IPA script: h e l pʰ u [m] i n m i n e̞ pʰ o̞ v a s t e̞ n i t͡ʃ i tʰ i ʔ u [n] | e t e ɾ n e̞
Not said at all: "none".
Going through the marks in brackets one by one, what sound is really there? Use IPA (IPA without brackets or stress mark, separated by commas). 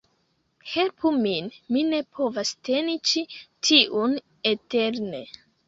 m, n